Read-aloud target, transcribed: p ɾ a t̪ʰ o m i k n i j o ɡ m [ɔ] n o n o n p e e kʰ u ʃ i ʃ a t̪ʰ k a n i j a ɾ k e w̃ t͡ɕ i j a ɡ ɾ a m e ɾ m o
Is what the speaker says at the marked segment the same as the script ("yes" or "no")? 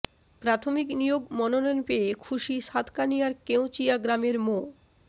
yes